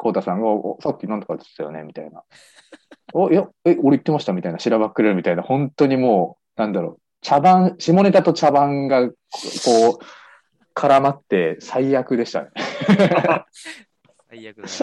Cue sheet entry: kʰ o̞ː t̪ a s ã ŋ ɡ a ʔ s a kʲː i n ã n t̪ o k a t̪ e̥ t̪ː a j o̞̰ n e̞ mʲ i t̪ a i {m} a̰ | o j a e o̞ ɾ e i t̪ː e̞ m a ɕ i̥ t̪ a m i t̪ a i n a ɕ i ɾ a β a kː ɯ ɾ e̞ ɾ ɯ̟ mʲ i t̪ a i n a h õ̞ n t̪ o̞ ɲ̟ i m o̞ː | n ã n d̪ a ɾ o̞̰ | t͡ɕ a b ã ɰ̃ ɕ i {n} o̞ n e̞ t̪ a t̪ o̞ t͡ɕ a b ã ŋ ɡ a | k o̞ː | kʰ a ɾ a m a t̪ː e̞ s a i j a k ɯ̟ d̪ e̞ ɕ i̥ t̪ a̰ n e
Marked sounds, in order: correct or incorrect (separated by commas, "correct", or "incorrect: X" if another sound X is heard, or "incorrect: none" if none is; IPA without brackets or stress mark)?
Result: incorrect: n, incorrect: m